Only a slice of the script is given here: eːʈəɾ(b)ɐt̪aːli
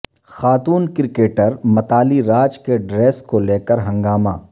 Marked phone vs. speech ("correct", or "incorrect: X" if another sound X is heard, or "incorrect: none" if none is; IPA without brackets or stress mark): incorrect: m